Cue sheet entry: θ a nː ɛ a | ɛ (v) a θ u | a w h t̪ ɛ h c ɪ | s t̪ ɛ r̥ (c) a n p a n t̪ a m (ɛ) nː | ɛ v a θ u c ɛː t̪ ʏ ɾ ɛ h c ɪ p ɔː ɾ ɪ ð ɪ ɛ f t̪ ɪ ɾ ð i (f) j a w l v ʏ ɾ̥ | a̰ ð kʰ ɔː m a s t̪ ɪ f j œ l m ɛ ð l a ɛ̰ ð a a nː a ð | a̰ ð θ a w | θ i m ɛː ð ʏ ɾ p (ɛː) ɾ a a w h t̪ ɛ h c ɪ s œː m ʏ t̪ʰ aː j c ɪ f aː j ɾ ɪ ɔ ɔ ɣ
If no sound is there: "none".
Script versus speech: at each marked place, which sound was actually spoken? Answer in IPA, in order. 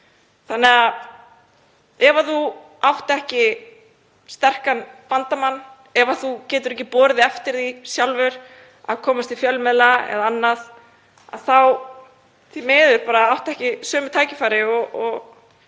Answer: v, k, a, s, aː

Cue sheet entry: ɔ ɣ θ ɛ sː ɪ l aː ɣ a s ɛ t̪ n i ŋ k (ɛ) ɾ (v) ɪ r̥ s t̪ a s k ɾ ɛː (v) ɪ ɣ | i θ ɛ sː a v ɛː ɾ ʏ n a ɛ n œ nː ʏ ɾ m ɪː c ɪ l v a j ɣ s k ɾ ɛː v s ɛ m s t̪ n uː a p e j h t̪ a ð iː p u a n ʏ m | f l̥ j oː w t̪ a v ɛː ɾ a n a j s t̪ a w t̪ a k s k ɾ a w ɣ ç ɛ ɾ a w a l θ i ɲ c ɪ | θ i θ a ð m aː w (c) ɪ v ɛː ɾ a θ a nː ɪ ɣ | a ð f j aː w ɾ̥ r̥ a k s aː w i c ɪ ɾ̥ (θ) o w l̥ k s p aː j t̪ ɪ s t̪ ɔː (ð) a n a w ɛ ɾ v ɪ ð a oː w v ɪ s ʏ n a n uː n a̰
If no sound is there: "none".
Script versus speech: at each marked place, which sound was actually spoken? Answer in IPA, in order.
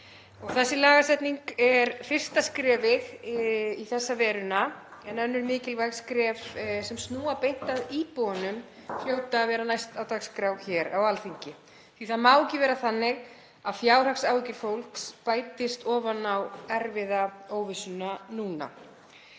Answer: ɛ, f, v, c, f, v

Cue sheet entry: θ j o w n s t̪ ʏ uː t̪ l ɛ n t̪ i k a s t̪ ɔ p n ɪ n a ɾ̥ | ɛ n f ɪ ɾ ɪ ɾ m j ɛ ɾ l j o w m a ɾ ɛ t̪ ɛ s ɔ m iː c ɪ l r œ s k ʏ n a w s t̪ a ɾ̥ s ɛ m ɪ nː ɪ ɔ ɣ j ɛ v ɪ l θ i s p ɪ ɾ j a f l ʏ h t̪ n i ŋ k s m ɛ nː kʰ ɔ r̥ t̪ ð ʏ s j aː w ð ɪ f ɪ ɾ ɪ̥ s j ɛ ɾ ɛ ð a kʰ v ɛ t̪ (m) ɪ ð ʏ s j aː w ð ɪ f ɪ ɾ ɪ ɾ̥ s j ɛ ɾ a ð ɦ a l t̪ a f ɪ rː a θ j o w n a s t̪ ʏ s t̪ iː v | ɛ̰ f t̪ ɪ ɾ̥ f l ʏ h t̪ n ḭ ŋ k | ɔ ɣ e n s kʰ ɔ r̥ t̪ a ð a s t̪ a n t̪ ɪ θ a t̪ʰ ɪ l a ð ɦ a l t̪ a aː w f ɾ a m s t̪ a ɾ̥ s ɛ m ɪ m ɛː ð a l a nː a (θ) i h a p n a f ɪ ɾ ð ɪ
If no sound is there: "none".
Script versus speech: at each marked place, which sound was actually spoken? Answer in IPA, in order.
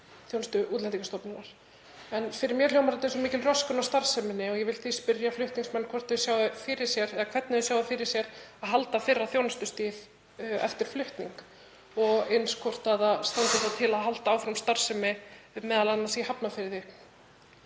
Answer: n, s

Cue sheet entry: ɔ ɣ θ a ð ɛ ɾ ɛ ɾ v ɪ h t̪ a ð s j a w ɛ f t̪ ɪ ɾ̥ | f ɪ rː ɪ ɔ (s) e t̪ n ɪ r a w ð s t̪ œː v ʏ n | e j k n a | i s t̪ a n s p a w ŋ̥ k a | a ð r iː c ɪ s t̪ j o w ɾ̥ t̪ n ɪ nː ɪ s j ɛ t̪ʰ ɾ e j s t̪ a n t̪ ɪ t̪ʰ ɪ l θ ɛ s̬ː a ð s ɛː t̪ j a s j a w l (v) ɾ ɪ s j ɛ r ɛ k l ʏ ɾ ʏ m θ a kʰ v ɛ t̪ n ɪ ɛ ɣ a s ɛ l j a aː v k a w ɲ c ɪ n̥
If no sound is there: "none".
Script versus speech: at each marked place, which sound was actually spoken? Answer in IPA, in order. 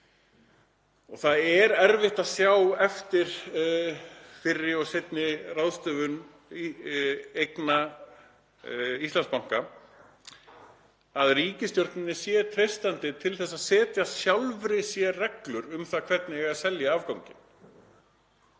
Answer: s, v

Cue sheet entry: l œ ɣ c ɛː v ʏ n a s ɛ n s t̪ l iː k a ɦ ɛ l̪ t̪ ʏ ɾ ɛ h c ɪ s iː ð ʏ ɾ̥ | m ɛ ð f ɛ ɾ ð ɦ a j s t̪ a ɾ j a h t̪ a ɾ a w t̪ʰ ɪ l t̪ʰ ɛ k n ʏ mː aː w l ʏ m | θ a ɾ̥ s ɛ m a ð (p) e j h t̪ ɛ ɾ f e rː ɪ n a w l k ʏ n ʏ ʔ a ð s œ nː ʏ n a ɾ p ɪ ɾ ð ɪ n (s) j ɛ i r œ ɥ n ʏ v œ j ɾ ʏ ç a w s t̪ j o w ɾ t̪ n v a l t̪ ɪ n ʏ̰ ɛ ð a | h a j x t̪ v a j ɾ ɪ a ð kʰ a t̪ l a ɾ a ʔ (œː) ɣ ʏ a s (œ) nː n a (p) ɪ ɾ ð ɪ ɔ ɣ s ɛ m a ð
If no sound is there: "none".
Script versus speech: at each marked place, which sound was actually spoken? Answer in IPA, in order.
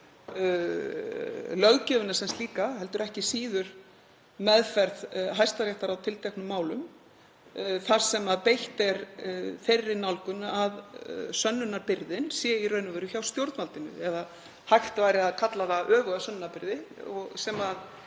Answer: p, s, œː, œ, p

